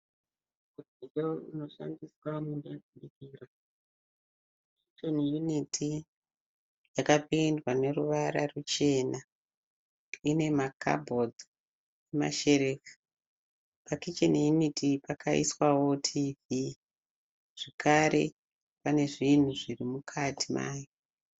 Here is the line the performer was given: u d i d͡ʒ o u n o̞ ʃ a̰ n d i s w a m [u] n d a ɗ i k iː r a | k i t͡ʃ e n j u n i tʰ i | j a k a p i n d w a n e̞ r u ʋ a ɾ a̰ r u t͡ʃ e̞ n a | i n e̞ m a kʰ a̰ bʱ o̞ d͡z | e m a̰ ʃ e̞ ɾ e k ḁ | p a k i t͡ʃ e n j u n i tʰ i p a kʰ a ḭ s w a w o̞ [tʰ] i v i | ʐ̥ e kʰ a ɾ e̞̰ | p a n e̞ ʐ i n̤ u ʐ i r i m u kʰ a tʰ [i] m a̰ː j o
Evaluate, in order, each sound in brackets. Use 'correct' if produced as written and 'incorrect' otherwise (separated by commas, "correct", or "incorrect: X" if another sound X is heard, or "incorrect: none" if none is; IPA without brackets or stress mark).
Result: correct, correct, correct